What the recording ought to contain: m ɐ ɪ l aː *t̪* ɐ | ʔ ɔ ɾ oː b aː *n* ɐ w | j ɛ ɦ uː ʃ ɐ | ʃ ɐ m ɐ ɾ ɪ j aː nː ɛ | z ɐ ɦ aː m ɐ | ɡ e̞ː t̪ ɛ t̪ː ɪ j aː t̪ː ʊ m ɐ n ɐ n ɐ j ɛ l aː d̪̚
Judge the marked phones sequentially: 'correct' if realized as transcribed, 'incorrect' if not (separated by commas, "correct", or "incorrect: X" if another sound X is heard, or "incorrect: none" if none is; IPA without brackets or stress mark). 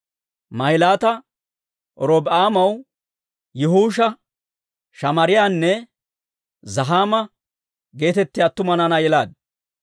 correct, incorrect: m